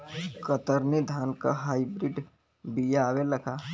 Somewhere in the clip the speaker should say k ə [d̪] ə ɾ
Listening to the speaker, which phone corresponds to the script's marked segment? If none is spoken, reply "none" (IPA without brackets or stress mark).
t̪